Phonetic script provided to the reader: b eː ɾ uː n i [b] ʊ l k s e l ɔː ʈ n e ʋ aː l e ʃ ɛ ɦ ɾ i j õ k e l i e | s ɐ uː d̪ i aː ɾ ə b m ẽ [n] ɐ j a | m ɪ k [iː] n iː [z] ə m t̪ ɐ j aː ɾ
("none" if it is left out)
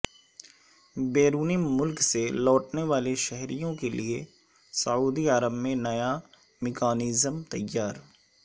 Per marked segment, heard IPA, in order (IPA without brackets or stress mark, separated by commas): m, n, aː, z